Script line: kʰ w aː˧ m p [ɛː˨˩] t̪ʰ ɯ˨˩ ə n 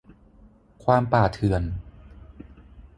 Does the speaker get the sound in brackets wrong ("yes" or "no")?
yes